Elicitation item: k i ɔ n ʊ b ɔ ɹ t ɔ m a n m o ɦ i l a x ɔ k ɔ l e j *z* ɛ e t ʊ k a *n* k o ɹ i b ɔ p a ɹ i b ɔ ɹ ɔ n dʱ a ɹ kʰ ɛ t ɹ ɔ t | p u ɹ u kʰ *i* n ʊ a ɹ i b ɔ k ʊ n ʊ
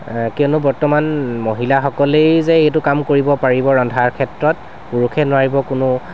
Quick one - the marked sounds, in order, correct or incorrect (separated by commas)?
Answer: correct, incorrect, incorrect